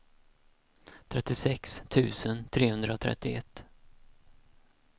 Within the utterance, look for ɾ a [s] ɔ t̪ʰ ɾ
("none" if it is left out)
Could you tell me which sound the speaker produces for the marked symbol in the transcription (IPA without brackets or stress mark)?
none